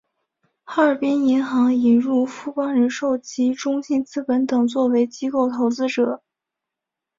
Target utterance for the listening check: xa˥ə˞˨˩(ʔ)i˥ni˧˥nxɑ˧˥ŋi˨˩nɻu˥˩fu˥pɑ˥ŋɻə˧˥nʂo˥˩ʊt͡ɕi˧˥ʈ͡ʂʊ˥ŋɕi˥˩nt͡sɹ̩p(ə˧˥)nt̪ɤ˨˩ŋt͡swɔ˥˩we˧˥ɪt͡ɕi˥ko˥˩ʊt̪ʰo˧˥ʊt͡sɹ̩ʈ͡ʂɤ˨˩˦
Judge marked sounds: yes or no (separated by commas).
no, yes